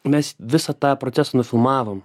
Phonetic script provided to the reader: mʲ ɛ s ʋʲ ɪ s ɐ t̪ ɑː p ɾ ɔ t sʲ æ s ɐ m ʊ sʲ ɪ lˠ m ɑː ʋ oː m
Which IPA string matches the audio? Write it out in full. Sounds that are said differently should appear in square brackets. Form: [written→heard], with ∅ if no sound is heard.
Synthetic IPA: mʲ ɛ s ʋʲ ɪ s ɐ t̪ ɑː p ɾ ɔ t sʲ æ s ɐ [m→n] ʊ [sʲ→fʲ] ɪ lˠ m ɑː ʋ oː m